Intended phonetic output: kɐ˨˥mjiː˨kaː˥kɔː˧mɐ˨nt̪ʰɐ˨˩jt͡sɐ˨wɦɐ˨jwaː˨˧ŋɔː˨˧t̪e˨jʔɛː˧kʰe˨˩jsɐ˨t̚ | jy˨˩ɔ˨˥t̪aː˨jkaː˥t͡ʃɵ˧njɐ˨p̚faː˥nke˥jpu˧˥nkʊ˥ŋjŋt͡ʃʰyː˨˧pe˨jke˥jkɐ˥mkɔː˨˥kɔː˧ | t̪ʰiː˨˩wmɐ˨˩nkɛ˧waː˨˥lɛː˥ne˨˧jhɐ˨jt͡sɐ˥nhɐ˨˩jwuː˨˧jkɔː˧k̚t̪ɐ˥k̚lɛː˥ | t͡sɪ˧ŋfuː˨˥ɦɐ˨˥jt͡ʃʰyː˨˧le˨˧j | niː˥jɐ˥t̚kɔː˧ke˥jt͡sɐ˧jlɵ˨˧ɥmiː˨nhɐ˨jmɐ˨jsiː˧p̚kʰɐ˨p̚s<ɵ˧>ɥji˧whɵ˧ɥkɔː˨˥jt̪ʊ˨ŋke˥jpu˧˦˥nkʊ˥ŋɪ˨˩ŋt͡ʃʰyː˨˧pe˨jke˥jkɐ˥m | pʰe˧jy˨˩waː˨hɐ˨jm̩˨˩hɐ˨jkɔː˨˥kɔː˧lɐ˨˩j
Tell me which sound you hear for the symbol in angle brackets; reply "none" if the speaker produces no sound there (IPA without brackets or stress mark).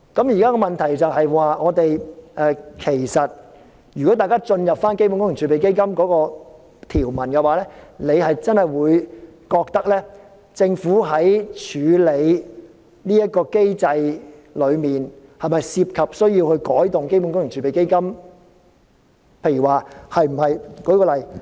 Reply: ɵ˥